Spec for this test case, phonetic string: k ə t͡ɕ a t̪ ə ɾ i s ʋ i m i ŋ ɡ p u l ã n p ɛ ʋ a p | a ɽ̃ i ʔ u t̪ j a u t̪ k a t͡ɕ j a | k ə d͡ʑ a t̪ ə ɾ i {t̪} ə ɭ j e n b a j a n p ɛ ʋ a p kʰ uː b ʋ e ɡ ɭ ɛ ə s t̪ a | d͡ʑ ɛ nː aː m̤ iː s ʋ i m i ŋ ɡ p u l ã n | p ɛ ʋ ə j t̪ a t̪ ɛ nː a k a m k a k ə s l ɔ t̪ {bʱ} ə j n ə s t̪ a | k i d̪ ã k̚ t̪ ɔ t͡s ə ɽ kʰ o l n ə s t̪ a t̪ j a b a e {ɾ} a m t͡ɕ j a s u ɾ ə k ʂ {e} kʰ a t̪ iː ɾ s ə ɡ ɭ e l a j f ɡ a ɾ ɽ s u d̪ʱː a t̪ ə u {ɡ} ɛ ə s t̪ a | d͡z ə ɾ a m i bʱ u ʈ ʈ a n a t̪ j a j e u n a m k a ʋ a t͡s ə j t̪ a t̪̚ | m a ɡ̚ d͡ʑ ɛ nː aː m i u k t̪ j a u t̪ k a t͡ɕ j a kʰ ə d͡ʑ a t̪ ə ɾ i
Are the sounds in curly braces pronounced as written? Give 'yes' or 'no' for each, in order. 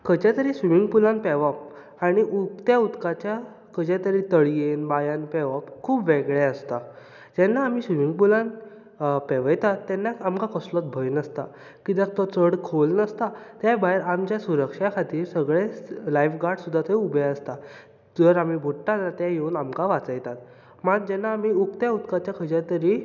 yes, yes, yes, no, no

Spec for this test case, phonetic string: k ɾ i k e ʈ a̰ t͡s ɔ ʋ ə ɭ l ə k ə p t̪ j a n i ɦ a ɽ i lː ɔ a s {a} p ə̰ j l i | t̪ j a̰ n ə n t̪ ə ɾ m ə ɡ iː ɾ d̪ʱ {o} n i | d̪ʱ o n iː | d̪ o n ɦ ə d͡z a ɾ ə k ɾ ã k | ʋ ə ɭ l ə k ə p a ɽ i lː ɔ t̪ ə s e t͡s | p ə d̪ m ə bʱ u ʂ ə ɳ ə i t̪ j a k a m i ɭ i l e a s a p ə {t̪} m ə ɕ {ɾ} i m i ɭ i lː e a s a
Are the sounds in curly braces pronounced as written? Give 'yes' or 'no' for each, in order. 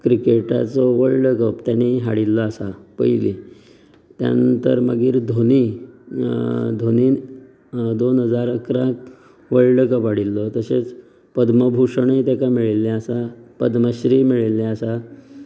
yes, yes, no, yes

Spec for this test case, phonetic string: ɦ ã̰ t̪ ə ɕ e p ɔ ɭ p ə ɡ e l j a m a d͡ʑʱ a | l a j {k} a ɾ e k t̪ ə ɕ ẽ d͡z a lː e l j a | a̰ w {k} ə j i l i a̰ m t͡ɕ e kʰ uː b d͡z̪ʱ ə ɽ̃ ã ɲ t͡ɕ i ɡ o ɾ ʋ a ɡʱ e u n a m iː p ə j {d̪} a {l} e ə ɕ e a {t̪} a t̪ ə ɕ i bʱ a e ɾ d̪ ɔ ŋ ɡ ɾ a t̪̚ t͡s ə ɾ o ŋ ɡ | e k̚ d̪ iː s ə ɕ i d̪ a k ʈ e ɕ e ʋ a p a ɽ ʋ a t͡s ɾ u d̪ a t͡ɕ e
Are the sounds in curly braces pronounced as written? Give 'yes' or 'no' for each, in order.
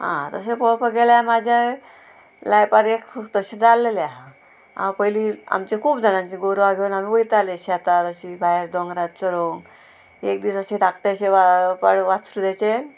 no, no, no, yes, yes

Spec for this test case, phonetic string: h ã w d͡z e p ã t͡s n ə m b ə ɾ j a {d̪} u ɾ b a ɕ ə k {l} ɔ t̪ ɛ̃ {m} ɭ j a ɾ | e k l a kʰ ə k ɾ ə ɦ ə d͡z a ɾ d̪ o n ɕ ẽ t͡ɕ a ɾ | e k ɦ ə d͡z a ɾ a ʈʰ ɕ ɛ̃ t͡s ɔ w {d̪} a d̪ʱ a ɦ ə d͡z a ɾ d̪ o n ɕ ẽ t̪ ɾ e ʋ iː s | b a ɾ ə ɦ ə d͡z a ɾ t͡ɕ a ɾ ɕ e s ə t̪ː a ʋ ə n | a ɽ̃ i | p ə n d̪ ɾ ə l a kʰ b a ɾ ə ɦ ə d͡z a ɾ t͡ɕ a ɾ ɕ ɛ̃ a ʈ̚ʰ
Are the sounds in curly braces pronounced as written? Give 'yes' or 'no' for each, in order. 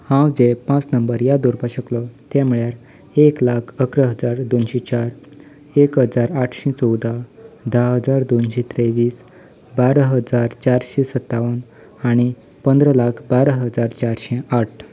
yes, yes, yes, yes

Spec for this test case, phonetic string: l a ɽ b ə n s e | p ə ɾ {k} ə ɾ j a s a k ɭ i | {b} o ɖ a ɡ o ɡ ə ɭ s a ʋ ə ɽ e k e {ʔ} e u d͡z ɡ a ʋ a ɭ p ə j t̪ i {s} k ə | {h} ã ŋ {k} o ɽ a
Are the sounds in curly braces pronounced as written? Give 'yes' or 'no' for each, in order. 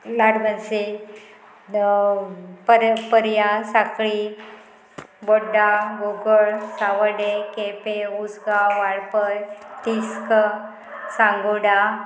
no, yes, no, yes, no, no

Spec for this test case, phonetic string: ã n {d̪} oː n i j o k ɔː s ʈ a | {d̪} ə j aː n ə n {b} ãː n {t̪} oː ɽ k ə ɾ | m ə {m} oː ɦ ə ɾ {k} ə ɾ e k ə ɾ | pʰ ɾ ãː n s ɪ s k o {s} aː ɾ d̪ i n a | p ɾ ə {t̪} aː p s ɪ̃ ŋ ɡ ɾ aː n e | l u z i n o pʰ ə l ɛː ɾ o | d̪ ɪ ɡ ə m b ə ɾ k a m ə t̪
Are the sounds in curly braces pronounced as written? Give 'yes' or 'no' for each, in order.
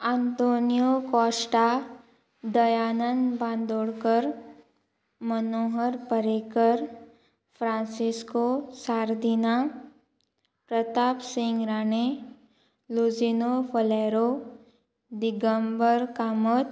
no, yes, yes, no, no, no, yes, yes

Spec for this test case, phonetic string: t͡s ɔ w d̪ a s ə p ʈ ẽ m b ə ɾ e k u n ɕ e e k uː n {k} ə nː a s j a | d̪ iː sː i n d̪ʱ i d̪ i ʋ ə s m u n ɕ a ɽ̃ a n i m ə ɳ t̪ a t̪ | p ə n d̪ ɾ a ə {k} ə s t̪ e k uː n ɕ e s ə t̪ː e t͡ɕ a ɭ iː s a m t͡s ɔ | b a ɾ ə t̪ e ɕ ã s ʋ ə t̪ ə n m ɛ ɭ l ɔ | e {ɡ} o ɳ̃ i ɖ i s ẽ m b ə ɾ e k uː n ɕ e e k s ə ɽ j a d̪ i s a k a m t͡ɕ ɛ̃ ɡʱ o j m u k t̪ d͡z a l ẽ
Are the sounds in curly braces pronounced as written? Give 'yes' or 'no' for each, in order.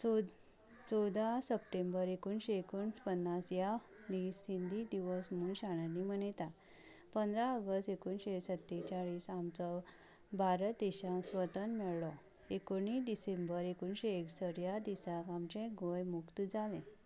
no, no, no

